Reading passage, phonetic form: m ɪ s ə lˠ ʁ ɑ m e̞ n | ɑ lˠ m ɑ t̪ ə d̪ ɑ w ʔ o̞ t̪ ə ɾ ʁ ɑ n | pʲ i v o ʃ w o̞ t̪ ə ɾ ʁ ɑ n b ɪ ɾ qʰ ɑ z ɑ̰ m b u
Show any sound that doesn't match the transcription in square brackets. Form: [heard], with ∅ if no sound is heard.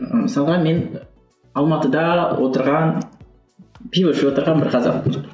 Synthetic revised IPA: m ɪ s [ɑ] lˠ ʁ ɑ m e̞ n | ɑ lˠ m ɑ t̪ ə d̪ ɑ w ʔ o̞ t̪ ə ɾ ʁ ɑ n | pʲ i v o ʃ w o̞ t̪ ə ɾ ʁ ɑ n b ɪ ɾ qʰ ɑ z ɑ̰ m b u